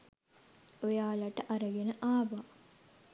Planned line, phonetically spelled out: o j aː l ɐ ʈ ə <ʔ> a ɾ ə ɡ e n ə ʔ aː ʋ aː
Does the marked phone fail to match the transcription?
no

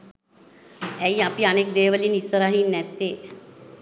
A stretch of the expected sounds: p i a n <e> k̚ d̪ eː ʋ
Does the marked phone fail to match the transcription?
no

